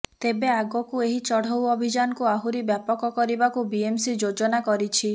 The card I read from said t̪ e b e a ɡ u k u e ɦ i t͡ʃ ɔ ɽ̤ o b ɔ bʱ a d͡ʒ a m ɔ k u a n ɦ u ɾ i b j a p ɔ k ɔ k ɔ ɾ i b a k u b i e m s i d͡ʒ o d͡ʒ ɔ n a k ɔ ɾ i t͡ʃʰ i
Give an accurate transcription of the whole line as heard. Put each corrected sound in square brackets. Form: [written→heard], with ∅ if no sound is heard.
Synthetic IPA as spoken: t̪ e b e a ɡ [u→ɔ] k u e ɦ i t͡ʃ ɔ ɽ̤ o [b→w] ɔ bʱ [a→i] d͡ʒ a [m→n] ɔ k u a [n→∅] ɦ u ɾ i b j a p ɔ k ɔ k ɔ ɾ i b a k u b i e m s i d͡ʒ o d͡ʒ ɔ n a k ɔ ɾ i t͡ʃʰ i